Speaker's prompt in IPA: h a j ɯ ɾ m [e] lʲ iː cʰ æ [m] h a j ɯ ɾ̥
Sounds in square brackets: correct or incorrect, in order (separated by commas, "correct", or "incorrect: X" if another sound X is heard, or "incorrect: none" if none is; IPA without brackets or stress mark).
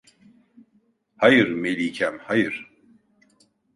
correct, correct